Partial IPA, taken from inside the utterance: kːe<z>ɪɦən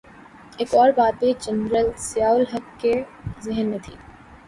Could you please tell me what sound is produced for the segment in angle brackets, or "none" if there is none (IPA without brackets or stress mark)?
z